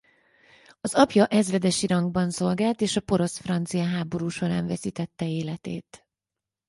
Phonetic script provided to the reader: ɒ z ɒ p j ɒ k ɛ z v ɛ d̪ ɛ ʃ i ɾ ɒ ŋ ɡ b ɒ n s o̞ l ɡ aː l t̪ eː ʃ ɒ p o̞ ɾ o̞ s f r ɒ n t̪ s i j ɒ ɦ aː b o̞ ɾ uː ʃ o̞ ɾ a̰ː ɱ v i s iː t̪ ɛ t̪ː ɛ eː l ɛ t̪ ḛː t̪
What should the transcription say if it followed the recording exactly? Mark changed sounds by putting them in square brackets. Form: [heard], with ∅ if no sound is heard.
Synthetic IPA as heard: ɒ z ɒ p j ɒ [ʔ] ɛ z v ɛ d̪ ɛ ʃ i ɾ ɒ ŋ ɡ b ɒ n s o̞ l ɡ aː l t̪ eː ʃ ɒ p o̞ ɾ o̞ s f r ɒ n t̪ s i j ɒ ɦ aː b o̞ ɾ uː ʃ o̞ ɾ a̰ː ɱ v [ɛ] s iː t̪ ɛ t̪ː ɛ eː l ɛ t̪ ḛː t̪